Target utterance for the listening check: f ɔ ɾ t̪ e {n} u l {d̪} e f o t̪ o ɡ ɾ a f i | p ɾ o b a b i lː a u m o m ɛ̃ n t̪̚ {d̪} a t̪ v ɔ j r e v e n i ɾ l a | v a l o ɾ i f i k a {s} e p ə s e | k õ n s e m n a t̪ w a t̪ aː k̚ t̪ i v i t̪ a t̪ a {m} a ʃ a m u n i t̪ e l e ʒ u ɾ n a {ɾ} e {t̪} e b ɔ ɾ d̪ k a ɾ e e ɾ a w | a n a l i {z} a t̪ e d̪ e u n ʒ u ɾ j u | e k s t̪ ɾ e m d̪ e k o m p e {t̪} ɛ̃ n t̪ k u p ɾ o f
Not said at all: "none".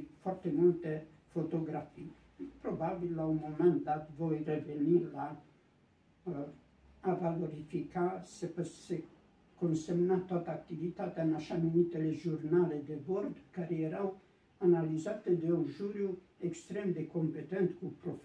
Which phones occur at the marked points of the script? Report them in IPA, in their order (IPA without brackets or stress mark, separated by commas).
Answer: m, t̪, d̪, s, n, l, d̪, z, t̪